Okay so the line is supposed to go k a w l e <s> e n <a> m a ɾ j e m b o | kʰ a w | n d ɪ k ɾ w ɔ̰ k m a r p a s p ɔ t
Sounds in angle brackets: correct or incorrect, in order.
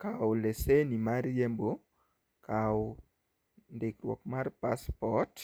correct, incorrect: i

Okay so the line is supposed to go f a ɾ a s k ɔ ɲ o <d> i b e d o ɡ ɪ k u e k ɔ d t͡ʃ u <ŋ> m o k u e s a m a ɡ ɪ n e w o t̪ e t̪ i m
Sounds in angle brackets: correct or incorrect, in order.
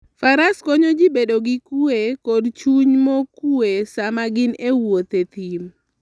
incorrect: d͡ʒ, incorrect: ɲ

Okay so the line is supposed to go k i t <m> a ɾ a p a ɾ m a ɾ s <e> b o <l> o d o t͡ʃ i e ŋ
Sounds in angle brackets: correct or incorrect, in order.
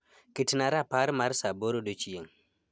incorrect: n, incorrect: a, incorrect: ɾ

